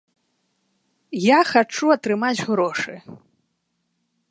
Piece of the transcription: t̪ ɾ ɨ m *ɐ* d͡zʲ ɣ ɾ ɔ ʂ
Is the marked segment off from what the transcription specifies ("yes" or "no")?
yes